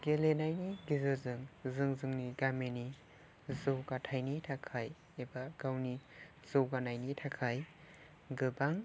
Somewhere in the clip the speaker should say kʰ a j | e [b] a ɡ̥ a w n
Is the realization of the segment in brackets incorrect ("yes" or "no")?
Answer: no